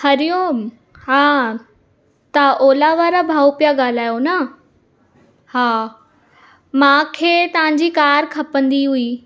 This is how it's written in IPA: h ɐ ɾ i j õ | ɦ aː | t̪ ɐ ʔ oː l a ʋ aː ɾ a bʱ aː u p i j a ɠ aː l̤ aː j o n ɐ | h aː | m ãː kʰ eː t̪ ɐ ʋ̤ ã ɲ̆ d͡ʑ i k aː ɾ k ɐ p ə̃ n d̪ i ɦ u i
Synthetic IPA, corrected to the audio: h ɐ ɾ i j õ | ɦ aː | t̪ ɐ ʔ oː l a ʋ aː ɾ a bʱ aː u p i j a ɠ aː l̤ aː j o n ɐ | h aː | m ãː kʰ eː t̪ ɐ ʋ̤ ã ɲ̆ d͡ʑ i k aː ɾ kʰ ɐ p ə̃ n d̪ i ɦ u i